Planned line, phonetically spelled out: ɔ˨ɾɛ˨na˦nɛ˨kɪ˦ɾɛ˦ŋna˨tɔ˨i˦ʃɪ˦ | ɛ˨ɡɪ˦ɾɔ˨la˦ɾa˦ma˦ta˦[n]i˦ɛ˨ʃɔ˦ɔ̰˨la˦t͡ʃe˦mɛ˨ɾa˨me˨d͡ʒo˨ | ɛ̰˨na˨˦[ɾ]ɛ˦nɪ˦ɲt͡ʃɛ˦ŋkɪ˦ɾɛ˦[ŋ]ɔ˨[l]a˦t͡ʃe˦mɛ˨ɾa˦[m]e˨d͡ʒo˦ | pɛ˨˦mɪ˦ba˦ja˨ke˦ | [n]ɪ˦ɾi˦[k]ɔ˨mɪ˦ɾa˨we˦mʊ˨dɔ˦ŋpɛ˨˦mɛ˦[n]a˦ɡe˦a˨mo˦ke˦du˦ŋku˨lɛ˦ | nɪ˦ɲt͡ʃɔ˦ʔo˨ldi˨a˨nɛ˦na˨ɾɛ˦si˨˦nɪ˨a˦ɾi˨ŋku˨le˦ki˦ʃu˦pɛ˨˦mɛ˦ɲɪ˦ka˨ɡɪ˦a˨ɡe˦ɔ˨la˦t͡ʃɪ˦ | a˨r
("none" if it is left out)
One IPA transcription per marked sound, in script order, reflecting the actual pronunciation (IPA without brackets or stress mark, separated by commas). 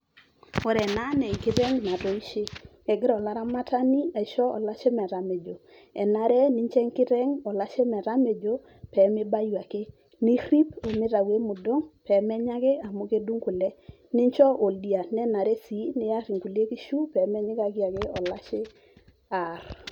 n, ɾ, ŋ, l, m, n, p, ɲ